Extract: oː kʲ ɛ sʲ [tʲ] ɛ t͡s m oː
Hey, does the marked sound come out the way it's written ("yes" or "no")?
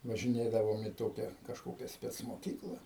no